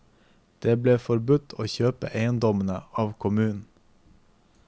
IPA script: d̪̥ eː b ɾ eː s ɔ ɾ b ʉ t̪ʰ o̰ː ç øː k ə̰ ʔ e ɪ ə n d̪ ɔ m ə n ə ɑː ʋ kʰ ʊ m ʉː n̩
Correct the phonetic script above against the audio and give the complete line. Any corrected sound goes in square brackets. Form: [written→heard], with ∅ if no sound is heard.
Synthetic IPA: d̪̥ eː b [ɾ→l] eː [s→f] ɔ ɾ b ʉ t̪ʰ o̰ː ç øː [k→p] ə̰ ʔ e ɪ ə n d̪ ɔ m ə n ə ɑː ʋ kʰ ʊ m ʉː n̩